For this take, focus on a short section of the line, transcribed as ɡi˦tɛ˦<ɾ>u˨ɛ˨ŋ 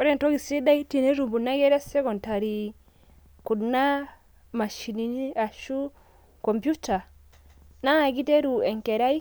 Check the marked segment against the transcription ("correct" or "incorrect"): correct